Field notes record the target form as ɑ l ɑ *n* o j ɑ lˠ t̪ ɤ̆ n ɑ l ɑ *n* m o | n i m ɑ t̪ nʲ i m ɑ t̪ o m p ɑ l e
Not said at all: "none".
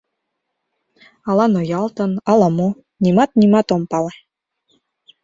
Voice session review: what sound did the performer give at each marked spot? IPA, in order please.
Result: n, none

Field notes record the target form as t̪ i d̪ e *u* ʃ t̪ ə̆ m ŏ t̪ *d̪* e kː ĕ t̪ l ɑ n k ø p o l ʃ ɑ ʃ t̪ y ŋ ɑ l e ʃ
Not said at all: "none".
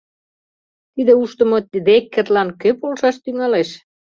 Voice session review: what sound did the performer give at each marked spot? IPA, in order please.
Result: u, d̪

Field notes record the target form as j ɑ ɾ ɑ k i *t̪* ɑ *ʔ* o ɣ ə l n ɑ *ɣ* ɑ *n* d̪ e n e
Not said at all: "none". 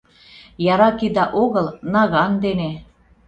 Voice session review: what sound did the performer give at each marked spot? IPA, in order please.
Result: d̪, ʔ, ɣ, n

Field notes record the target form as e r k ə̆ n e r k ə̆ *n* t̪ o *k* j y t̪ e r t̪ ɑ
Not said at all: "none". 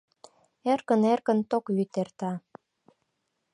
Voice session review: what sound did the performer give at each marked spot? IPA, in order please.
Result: n, k

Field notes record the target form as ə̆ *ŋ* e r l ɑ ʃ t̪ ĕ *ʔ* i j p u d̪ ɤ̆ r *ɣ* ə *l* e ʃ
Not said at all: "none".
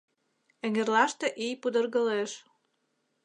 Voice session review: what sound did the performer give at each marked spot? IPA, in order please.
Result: ŋ, ʔ, ɣ, l

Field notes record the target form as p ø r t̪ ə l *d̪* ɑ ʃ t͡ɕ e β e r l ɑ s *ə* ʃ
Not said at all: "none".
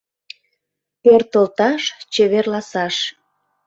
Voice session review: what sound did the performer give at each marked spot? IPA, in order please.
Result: t̪, ɑ

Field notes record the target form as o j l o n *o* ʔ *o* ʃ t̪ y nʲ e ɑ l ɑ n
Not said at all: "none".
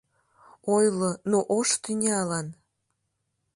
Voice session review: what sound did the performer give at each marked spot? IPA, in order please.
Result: o, o

